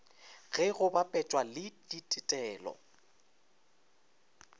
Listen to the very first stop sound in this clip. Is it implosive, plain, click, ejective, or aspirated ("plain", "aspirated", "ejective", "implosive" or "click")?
plain